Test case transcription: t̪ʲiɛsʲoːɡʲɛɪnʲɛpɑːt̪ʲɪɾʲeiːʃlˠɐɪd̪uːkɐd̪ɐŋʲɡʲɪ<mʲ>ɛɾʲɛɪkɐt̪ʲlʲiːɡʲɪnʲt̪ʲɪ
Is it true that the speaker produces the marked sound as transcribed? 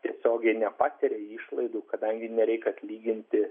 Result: no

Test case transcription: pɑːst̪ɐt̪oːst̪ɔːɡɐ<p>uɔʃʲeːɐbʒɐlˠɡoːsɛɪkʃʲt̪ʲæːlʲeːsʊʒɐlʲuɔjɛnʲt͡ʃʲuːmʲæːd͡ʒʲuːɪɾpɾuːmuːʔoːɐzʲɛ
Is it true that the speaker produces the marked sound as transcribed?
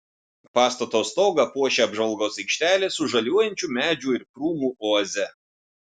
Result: yes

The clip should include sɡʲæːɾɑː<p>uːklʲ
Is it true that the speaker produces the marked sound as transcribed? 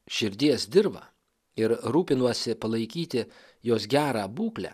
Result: no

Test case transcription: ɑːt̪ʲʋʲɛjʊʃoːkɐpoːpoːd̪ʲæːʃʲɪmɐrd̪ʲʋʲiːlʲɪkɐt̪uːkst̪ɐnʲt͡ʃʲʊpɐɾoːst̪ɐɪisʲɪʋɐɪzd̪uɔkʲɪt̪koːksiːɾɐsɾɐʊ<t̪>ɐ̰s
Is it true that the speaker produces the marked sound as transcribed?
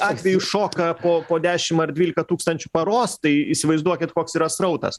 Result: yes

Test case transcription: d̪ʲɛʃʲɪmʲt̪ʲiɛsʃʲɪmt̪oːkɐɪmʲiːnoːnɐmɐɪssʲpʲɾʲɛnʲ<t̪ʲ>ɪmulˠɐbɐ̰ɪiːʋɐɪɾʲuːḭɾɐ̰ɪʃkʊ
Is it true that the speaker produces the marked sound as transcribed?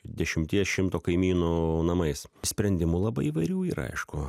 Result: no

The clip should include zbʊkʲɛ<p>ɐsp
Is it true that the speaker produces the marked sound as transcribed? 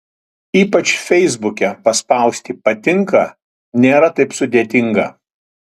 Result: yes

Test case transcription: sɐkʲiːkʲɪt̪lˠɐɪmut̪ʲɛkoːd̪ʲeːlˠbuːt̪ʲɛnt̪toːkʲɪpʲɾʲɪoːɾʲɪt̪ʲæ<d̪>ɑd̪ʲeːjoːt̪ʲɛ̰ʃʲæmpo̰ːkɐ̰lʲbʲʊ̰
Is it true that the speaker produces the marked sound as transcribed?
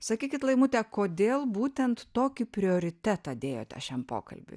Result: no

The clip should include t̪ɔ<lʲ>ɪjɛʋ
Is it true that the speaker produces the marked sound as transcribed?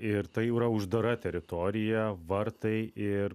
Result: no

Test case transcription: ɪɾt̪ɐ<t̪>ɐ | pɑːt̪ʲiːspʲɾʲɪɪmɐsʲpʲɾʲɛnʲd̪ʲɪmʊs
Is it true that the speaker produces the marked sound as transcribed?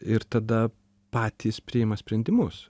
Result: no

